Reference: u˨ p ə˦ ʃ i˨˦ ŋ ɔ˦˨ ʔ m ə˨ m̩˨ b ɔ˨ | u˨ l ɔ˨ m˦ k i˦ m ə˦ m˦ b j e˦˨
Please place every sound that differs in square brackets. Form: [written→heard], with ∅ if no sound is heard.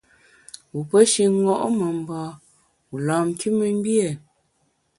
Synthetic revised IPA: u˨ p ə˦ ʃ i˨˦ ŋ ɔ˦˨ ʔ m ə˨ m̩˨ b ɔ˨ | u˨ l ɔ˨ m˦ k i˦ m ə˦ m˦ b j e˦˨